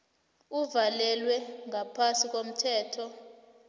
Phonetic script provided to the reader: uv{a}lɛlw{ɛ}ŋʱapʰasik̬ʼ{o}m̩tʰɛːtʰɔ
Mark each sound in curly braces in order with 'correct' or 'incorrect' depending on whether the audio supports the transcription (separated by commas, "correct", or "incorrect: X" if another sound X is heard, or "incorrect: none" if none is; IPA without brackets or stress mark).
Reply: correct, correct, correct